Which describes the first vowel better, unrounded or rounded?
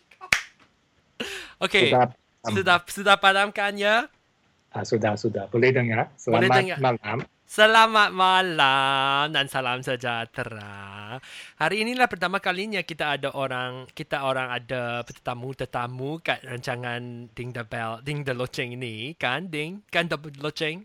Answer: rounded